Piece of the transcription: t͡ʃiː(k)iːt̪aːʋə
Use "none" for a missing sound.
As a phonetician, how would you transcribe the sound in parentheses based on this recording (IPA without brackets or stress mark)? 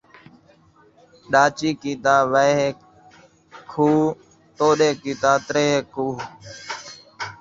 k